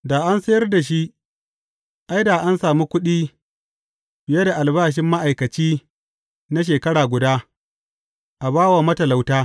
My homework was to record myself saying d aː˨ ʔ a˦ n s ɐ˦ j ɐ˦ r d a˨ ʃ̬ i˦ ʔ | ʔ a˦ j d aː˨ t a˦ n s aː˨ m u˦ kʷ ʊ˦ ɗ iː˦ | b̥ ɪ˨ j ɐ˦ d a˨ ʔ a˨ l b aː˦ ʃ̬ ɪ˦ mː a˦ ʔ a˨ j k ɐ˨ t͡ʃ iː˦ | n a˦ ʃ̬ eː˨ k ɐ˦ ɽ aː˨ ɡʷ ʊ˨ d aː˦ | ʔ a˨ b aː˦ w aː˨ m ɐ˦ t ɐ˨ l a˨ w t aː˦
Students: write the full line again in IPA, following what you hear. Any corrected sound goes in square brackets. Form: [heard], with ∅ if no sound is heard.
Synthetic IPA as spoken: d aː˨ ʔ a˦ n s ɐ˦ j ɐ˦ r d a˨ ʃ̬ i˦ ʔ | ʔ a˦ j d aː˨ [ʔ] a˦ n s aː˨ m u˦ kʷ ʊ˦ ɗ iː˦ | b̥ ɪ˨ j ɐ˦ d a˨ ʔ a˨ l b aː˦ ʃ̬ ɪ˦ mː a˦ ʔ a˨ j k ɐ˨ t͡ʃ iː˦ | n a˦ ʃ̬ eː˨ k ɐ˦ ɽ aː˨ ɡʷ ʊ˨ d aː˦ | ʔ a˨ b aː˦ w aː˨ m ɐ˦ t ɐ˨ l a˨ w t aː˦